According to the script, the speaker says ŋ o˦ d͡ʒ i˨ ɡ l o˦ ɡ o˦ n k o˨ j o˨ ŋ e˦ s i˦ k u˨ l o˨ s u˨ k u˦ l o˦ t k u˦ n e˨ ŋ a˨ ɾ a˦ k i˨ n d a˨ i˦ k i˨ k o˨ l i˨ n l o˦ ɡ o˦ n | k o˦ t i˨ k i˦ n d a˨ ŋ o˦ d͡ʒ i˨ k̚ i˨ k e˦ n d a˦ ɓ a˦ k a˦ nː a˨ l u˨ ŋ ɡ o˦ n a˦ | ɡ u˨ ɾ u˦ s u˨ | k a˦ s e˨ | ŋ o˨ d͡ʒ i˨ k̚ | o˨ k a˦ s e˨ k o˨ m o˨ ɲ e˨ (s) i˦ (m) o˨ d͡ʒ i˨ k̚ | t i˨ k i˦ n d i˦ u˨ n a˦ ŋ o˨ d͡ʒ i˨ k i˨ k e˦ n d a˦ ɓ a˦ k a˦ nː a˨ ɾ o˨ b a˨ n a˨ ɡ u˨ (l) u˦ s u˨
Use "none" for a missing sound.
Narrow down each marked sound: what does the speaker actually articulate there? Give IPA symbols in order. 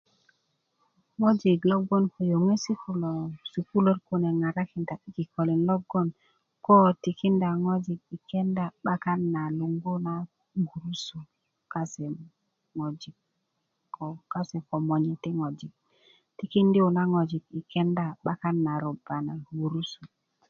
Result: t, ŋ, ɾ

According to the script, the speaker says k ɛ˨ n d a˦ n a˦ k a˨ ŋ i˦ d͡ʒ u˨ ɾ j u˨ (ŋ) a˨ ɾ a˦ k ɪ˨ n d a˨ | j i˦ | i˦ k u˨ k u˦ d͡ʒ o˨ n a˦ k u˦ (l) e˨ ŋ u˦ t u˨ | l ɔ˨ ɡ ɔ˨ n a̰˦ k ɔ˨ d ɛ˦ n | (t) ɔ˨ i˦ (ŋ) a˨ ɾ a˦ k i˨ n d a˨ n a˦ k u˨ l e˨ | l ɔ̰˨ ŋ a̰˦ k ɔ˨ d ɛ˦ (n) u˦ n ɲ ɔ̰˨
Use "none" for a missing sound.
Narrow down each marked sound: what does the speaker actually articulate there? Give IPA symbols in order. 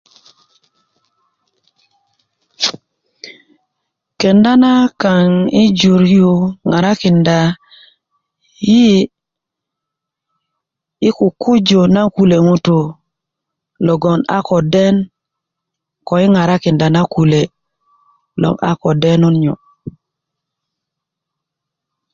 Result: ŋ, l, k, ŋ, n

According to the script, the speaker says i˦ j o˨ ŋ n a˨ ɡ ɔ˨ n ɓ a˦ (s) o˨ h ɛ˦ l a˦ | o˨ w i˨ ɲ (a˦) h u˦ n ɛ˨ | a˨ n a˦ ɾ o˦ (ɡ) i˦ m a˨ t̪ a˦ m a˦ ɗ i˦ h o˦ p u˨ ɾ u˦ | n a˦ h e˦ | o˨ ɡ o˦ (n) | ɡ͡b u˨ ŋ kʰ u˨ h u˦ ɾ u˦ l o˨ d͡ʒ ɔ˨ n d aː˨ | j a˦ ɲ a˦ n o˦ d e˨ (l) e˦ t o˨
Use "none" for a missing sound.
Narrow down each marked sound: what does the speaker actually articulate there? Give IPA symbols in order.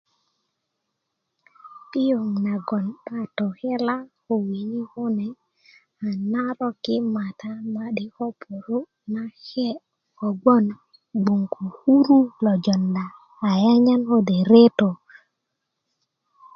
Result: t, i˦, k, n, ɾ

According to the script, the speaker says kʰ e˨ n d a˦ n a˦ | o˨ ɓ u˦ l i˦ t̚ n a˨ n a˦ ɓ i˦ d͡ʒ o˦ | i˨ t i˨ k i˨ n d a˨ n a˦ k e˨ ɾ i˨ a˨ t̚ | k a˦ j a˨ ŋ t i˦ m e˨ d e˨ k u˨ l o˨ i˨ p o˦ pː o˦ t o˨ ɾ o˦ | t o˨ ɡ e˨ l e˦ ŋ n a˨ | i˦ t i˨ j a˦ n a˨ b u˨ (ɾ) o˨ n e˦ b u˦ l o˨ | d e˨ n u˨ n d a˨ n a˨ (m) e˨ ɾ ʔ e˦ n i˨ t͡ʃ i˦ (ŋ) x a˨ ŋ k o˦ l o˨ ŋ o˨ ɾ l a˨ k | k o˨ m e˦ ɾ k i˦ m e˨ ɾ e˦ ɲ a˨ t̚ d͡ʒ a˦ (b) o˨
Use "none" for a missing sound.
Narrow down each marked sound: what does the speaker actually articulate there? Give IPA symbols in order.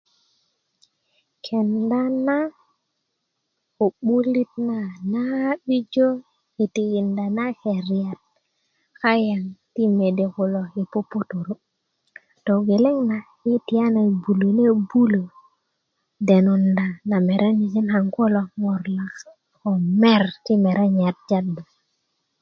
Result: l, m, n, d

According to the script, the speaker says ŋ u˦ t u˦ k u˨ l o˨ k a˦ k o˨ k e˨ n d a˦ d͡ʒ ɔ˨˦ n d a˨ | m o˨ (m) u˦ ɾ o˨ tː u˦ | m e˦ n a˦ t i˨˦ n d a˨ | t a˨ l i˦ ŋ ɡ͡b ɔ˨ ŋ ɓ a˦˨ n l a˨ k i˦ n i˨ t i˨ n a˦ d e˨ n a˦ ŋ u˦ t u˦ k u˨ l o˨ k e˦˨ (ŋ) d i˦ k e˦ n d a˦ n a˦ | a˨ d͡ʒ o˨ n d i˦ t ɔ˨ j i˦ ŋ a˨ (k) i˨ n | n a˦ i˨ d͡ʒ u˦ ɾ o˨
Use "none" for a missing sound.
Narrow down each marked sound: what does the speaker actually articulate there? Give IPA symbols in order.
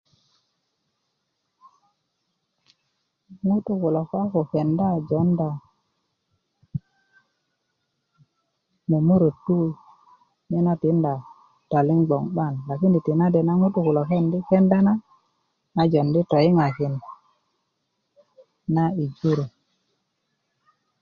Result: m, n, k

